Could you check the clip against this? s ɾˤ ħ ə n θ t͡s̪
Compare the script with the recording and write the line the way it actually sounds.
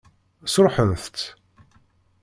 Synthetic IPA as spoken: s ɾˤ ħ ə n θ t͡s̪